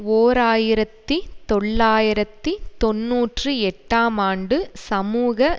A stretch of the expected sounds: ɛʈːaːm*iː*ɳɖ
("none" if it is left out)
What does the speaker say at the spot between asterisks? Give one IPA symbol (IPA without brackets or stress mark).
aː